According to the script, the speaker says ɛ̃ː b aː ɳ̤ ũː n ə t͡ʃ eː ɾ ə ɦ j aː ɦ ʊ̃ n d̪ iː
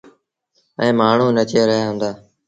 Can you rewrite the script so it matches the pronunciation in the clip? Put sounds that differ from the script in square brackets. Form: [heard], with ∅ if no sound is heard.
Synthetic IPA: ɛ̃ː [m] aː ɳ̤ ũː n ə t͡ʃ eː ɾ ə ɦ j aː ɦ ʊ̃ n d̪ [aː]